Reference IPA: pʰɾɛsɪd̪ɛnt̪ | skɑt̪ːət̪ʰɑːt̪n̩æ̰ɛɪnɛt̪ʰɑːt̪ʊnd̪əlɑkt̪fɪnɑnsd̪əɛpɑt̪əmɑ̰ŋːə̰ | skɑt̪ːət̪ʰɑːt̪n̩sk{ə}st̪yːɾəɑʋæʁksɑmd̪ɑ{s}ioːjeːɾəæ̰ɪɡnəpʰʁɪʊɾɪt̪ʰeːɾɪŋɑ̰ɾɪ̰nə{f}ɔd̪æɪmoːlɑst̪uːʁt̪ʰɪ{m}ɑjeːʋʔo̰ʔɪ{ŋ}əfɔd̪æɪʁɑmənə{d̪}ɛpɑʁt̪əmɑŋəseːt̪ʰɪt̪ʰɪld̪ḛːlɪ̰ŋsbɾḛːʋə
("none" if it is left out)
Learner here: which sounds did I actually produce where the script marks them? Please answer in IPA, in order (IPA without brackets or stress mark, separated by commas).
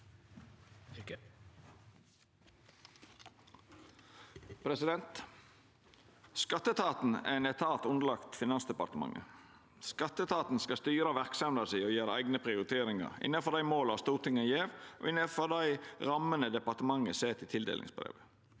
ɑ, s, f, ŋ, n, d̪